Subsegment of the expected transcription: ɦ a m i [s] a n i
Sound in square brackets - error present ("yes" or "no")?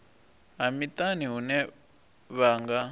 yes